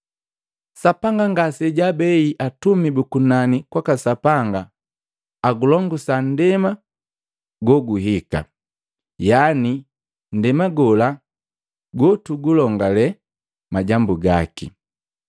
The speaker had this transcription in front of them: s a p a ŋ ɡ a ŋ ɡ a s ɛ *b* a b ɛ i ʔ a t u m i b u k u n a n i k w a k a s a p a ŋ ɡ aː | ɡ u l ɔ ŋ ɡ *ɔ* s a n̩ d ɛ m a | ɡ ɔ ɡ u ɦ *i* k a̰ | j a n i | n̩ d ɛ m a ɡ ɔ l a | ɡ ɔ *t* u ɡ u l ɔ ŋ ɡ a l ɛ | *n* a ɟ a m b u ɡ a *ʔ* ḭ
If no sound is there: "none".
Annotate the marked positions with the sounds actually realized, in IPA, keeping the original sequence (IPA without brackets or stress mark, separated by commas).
ɟ, u, i, t, m, k